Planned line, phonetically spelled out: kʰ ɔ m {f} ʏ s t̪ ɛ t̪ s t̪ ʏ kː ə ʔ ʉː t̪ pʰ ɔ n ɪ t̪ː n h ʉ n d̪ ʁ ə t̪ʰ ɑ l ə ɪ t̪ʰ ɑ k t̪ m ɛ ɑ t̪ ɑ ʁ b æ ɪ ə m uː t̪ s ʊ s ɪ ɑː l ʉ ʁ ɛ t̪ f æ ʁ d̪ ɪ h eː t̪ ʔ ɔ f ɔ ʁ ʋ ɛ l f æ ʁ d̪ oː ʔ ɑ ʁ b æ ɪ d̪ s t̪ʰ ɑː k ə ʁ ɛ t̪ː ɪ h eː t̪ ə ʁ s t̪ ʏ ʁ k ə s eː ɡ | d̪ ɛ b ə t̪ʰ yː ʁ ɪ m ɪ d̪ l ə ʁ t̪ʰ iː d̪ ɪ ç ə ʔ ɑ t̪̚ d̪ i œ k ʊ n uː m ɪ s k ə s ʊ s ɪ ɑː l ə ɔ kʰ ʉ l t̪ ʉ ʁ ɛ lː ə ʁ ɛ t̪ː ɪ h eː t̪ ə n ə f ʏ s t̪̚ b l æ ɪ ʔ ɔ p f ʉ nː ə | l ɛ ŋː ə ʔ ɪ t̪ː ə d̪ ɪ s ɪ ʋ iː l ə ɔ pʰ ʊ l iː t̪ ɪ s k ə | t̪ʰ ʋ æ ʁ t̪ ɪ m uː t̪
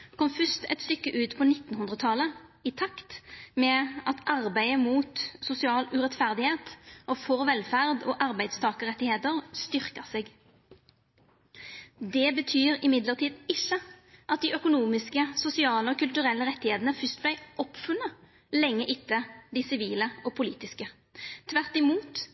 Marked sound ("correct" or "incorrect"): correct